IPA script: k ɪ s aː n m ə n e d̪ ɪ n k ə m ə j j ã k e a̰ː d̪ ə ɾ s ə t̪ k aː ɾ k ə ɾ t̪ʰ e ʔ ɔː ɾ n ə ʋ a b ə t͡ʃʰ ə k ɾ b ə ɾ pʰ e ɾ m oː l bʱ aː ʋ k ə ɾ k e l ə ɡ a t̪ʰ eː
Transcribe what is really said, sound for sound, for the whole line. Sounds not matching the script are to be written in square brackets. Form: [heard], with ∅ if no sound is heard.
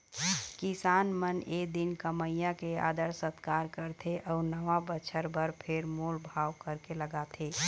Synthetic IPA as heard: k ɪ s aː n m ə n e d̪ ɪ n k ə m ə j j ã k e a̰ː d̪ ə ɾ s ə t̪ k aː ɾ k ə ɾ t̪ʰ e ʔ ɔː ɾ n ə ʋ a b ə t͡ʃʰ ə [∅] ɾ b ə ɾ pʰ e ɾ m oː l bʱ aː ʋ k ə ɾ k e l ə ɡ a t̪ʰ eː